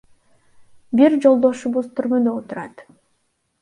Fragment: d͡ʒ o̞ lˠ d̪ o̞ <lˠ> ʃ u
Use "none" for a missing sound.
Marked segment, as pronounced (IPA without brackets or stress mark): none